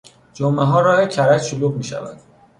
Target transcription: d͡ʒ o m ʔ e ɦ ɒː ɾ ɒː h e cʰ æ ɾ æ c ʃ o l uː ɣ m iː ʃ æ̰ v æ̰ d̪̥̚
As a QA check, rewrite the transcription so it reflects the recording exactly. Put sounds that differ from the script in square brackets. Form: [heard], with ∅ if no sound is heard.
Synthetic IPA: d͡ʒ o m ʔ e ɦ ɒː ɾ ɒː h e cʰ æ ɾ æ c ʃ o l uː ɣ m iː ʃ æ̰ v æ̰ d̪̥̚